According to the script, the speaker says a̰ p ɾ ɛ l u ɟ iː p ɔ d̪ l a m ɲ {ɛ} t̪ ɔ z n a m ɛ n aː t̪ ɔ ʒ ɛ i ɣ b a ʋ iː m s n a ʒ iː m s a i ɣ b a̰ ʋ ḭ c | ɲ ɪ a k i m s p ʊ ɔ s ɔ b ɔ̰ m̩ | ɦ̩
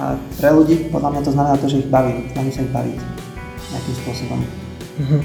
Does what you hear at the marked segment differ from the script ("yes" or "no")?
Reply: yes